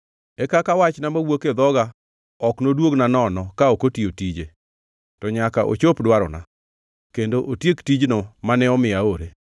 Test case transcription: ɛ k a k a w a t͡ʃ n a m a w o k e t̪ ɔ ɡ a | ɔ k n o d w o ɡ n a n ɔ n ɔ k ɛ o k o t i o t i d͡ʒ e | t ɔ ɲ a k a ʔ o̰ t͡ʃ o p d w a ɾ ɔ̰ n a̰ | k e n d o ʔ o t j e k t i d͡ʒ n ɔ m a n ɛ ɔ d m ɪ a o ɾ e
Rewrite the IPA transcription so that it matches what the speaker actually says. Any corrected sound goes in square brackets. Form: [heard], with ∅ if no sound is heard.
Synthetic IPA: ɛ k a k a w a t͡ʃ n a m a w o k e [d̪] ɔ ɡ a | ɔ k n o d w o ɡ n a n ɔ n ɔ k [a] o k o t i o t i d͡ʒ e | t ɔ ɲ a k a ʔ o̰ t͡ʃ o p d w a ɾ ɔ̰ n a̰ | k e n d o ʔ o t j e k t i d͡ʒ n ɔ m a n ɛ ɔ [∅] m ɪ a o ɾ e